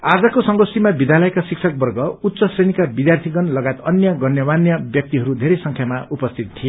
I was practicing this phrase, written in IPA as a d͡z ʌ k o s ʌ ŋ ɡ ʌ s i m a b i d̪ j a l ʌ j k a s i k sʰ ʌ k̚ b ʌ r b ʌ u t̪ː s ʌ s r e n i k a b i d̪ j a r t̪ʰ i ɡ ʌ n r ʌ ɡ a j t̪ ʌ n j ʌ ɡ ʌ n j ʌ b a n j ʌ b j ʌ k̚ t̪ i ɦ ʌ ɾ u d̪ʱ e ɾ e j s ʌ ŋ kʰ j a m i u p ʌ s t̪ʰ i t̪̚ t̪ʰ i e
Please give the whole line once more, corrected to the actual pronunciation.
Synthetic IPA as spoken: a d͡z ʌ k o s ʌ ŋ ɡ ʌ s i m a b i d̪ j a l ʌ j k a s i k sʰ ʌ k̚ b ʌ r ɡ ʌ u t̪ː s ʌ s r e n i k a b i d̪ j a r t̪ʰ i ɡ ʌ n l ʌ ɡ a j t̪ ʌ n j ʌ ɡ ʌ n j ʌ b a n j ʌ b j ʌ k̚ t̪ i ɦ ʌ ɾ u d̪ʱ e ɾ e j s ʌ ŋ kʰ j a m a u p ʌ s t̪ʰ i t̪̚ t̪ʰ i e

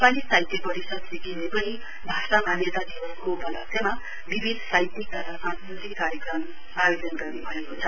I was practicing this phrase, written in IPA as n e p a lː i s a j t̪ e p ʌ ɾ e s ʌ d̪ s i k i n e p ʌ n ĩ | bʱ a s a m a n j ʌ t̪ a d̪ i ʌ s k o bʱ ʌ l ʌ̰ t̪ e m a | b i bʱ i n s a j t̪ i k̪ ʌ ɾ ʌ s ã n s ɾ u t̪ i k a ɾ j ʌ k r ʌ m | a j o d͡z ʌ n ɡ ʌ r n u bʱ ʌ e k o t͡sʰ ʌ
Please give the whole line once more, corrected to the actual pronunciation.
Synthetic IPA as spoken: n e p a l i s a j t̪ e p ʌ ɾ i s ʌ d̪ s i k i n e p ʌ n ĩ | bʱ a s a m a n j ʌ t̪ a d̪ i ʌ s k o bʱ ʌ l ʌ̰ t̪ e m a | b i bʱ i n s a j t̪ i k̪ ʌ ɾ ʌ s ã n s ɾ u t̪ i k a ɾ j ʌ k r ʌ m | a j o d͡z ʌ n ɡ ʌ r n u bʱ ʌ e k o t͡sʰ ʌ

